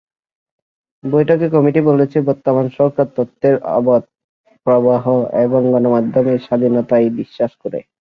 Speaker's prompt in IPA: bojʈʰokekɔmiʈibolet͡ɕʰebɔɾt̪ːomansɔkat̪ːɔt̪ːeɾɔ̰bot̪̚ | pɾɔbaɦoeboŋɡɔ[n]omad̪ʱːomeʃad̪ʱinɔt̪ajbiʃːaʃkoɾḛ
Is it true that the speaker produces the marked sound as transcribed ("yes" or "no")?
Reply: yes